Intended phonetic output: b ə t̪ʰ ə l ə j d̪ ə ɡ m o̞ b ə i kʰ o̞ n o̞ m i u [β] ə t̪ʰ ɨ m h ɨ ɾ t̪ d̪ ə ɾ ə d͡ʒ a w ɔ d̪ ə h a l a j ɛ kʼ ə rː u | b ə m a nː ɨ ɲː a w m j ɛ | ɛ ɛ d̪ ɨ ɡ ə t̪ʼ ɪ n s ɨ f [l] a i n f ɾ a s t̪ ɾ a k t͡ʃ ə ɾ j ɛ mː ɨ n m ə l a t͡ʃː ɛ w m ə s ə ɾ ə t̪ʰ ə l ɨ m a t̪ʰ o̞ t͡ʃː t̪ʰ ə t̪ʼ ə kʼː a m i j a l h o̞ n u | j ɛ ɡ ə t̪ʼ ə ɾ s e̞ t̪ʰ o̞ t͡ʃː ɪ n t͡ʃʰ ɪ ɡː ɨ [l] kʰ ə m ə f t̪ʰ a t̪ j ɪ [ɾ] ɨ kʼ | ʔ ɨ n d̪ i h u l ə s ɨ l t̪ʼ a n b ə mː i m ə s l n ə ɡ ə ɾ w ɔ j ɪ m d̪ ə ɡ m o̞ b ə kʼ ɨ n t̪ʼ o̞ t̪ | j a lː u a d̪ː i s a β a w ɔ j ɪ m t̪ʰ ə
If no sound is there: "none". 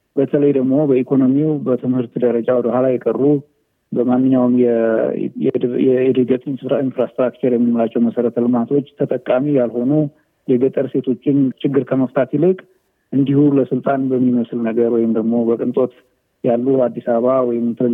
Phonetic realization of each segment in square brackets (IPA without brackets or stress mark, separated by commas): b, ɾ, ɾ, l